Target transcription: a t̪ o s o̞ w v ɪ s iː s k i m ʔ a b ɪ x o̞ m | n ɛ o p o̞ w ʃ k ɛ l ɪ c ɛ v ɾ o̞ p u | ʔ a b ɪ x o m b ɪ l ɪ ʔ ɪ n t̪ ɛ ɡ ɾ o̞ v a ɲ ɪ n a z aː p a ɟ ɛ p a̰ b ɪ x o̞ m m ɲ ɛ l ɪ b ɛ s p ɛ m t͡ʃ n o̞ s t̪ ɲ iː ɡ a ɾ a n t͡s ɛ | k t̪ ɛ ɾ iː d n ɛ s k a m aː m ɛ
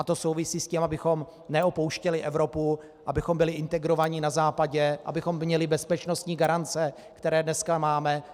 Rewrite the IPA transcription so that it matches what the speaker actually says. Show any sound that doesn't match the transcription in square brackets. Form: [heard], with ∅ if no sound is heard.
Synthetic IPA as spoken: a t̪ o s o̞ w v ɪ s iː s [c] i m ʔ a b ɪ x o̞ m | n ɛ o p o̞ w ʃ [c] ɛ l ɪ [ʔ] ɛ v ɾ o̞ p u | ʔ a b ɪ x o m b ɪ l ɪ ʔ ɪ n t̪ ɛ ɡ ɾ o̞ v a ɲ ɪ n a z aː p a ɟ ɛ [ʔ] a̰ b ɪ x o̞ m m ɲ ɛ l ɪ b ɛ s p ɛ [∅] t͡ʃ n o̞ s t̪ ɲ iː ɡ a ɾ a n t͡s ɛ | k t̪ ɛ ɾ [ɛː] d n ɛ s k a m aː m ɛ